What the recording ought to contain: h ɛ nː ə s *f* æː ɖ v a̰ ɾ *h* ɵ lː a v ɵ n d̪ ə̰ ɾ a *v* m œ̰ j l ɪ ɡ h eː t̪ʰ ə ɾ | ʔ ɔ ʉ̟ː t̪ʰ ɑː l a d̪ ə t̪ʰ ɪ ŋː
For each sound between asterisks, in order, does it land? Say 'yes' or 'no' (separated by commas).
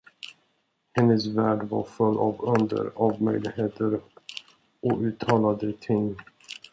no, no, yes